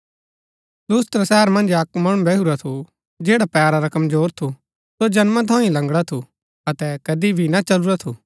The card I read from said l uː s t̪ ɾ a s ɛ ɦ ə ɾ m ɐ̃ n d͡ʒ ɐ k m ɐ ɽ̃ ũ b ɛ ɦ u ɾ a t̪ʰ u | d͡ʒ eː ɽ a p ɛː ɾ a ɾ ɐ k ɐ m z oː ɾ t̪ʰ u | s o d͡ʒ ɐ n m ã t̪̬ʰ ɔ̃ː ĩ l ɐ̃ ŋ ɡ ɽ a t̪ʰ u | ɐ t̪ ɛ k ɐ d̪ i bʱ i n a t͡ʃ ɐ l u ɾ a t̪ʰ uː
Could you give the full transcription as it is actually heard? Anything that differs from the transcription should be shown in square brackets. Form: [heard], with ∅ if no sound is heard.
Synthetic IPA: l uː s t̪ ɾ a s ɛ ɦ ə ɾ m ɐ̃ n d͡ʒ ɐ k m ɐ ɽ̃ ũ b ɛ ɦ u ɾ a t̪ʰ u | d͡ʒ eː ɽ a p ɛː ɾ a ɾ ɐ k ɐ m z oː ɾ t̪ʰ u | s o d͡ʒ ɐ n m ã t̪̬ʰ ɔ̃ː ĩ l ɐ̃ ŋ ɡ ɽ a t̪ʰ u | ɐ t̪ ɛ k ɐ d̪ i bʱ i n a t͡ʃ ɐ l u ɾ a t̪ʰ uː